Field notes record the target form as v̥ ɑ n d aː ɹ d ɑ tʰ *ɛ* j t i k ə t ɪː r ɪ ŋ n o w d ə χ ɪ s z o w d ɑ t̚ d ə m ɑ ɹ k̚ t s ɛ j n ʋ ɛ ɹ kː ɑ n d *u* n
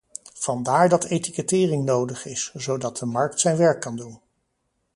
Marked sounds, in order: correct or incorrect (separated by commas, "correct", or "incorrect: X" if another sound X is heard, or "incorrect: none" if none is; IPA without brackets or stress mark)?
incorrect: e, correct